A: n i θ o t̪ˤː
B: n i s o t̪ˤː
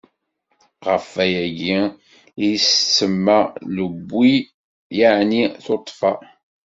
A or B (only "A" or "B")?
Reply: A